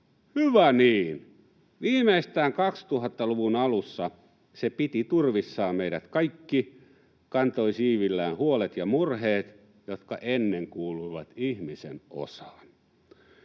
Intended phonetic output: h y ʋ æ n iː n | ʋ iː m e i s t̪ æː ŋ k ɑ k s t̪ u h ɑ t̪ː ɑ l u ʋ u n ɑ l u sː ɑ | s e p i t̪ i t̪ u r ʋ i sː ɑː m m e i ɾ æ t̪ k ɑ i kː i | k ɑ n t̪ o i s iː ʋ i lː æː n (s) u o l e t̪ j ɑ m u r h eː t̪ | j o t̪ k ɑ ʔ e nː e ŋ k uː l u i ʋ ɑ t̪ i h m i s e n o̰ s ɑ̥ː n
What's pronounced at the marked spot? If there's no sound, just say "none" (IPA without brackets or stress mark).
h